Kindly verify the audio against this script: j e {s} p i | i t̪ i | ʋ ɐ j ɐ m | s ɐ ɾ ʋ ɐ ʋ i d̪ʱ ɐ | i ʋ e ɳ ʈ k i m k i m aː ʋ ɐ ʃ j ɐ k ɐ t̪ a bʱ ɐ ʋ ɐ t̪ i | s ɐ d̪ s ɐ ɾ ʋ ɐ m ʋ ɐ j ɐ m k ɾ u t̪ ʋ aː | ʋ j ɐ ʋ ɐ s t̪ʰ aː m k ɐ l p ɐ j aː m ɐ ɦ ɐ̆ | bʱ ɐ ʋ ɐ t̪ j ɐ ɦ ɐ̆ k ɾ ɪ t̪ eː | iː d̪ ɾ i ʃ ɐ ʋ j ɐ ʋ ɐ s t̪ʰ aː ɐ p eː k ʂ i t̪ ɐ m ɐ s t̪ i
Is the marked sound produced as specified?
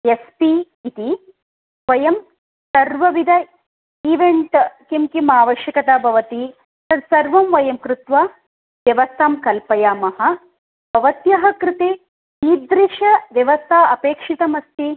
yes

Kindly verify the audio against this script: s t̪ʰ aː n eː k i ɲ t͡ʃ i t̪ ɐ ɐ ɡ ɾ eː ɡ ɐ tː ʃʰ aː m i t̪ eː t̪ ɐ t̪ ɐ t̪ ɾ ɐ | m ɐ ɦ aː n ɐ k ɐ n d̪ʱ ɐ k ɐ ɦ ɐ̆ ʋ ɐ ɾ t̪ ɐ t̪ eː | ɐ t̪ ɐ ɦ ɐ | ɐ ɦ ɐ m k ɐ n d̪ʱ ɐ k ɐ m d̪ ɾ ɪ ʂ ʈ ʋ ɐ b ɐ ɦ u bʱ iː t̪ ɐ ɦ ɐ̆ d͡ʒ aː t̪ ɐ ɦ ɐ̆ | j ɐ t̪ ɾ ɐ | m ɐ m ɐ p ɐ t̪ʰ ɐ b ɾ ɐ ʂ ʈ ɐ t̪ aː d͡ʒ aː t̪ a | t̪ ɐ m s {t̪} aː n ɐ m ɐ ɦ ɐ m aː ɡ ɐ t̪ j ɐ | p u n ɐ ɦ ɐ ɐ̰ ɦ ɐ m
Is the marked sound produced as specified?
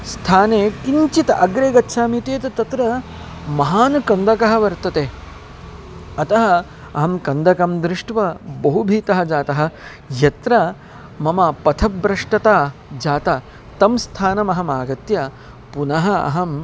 no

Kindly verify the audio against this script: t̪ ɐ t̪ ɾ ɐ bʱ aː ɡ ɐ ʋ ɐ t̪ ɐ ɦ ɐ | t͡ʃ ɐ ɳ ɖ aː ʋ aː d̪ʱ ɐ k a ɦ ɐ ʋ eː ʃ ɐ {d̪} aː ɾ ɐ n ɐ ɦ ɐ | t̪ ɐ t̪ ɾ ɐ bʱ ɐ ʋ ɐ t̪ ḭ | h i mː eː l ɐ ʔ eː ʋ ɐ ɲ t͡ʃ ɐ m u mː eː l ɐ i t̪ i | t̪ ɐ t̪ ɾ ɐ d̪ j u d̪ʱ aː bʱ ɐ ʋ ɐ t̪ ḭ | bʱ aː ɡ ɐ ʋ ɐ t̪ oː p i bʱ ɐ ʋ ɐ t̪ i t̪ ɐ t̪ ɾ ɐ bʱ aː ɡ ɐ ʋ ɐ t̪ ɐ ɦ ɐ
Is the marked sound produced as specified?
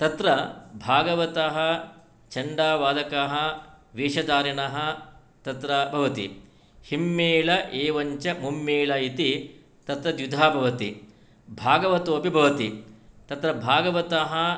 yes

